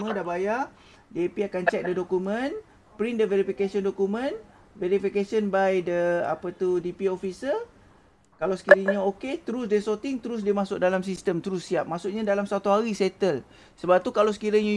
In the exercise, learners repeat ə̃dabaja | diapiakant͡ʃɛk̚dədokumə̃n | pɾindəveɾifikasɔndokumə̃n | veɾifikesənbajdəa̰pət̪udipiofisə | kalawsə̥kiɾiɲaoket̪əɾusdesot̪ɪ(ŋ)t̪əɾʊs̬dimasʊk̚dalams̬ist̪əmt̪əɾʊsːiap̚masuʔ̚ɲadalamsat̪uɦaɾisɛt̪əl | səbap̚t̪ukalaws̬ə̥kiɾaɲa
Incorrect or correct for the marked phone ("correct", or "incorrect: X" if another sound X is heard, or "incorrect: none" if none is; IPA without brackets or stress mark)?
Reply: correct